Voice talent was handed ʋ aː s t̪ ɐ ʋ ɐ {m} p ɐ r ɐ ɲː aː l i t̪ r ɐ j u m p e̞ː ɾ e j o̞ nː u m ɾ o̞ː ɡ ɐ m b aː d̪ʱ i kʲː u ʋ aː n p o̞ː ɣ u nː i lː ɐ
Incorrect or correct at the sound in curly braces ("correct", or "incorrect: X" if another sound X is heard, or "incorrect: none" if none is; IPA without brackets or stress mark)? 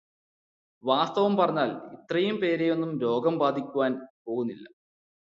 correct